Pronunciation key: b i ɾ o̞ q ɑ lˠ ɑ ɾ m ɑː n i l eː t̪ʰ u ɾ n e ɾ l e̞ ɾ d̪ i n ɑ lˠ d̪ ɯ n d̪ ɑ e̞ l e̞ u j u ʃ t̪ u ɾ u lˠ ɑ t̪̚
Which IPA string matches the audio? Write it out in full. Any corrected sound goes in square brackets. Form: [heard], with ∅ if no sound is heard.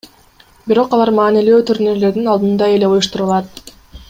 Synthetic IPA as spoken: b i ɾ o̞ q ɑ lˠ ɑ ɾ m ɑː n i l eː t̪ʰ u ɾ n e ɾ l e̞ ɾ d̪ i n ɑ lˠ d̪ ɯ n d̪ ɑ e̞ l e̞ u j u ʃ t̪ u ɾ u lˠ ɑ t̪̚